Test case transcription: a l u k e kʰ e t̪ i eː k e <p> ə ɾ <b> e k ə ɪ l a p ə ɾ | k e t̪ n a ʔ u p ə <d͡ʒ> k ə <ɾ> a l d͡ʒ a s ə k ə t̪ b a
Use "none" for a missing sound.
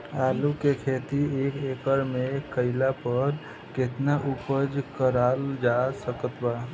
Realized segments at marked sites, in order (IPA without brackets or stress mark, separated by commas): k, m, d͡ʒ, ɾ